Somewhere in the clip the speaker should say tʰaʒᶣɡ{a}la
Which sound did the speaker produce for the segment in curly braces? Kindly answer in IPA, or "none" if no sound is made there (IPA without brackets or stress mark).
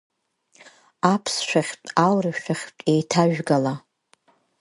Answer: a